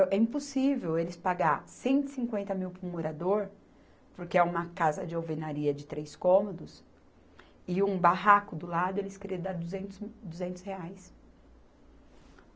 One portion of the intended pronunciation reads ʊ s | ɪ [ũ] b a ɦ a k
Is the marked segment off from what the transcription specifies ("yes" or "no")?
no